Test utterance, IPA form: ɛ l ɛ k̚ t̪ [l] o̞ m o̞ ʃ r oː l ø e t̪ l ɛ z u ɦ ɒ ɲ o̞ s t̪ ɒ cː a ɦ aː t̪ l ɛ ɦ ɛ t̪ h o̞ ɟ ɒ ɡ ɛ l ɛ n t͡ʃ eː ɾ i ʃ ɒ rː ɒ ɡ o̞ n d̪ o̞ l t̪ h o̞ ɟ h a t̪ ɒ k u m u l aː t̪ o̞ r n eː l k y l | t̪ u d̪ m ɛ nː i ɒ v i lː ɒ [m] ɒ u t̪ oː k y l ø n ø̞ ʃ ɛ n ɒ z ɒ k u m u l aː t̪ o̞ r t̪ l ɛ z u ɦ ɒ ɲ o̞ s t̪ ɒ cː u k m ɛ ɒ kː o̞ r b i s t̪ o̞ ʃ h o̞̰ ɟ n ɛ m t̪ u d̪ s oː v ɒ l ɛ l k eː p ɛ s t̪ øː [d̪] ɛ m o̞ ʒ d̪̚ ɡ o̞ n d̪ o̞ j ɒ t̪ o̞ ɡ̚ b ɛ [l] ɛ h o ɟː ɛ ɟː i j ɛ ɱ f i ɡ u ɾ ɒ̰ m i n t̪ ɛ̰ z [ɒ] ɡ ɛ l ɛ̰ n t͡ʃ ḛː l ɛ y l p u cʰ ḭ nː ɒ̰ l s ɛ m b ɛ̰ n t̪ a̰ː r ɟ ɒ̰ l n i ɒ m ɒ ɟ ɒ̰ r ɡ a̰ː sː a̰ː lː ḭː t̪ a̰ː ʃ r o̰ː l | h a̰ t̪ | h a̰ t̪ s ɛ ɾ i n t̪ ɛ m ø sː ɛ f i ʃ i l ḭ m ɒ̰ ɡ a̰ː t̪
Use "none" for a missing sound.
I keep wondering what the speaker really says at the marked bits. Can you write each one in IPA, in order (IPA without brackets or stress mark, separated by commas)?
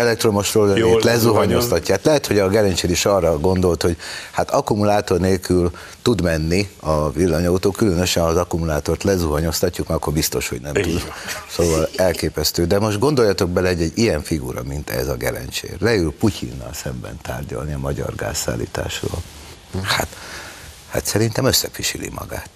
r, ɲ, d̪, l, ɒ